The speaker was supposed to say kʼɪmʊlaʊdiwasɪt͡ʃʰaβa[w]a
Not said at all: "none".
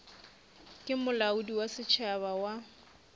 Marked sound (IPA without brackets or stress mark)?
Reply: w